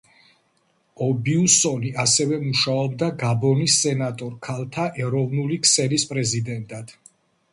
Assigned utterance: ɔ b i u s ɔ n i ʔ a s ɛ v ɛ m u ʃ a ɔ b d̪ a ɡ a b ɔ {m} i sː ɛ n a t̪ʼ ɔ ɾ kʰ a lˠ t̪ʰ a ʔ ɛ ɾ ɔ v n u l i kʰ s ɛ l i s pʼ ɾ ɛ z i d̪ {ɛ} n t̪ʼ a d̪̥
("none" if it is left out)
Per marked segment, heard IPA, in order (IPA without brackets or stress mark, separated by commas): n, ɛ